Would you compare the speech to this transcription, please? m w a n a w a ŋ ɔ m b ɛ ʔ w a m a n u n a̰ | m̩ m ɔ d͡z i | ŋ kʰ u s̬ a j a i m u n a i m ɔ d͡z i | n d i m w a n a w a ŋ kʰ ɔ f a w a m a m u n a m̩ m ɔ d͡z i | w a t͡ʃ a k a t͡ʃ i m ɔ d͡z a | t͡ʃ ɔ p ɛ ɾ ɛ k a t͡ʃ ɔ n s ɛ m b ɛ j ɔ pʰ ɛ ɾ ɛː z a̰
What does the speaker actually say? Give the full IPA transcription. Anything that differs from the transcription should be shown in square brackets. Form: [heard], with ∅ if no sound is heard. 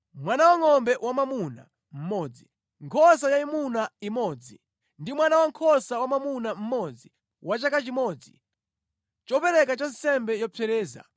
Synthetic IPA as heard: m w a n a w a ŋ ɔ m b ɛ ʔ w a m a [m] u n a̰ | m̩ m ɔ d͡z i | ŋ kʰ [ɔ] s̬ a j a i m u n a i m ɔ d͡z i | n d i m w a n a w a ŋ kʰ ɔ [s] a w a m a m u n a m̩ m ɔ d͡z i | w a t͡ʃ a k a t͡ʃ i m ɔ d͡z [i] | t͡ʃ ɔ p ɛ ɾ ɛ k a t͡ʃ ɔ n s ɛ m b ɛ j ɔ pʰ ɛ ɾ ɛː z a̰